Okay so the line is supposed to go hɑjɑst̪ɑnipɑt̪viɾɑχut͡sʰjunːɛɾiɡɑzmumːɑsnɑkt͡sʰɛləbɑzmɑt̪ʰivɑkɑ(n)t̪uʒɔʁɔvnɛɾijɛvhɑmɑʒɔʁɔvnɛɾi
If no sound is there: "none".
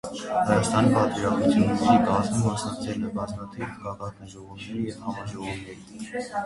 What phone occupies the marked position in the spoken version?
none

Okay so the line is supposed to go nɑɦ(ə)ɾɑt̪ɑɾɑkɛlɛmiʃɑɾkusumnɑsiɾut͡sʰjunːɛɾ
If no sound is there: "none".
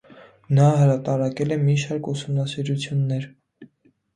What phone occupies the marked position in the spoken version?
ə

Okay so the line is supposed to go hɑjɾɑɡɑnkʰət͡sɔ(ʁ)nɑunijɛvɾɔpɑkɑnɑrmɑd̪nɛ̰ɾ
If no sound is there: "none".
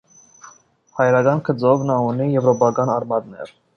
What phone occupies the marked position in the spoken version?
v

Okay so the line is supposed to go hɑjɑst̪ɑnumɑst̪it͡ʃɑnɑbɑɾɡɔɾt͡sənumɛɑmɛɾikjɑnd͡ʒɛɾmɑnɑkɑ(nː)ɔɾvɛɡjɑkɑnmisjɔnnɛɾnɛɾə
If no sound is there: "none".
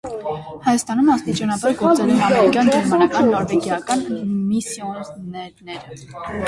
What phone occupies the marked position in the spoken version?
nː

